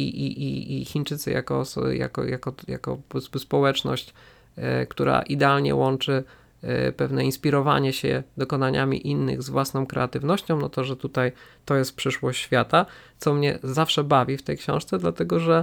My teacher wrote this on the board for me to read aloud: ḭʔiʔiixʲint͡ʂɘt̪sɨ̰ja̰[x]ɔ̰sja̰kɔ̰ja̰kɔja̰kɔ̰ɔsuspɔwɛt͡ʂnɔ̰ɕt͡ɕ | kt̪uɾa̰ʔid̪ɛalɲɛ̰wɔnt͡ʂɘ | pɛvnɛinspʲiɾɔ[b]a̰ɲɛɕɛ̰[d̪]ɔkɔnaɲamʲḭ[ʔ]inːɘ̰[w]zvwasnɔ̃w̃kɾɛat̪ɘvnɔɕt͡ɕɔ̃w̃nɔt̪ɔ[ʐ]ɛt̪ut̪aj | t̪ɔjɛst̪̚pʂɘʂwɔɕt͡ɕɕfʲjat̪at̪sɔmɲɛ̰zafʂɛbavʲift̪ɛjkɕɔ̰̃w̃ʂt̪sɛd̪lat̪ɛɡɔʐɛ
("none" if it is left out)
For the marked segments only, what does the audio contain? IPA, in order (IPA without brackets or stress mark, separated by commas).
k, v, d̪, ʔ, ɣ, ʐ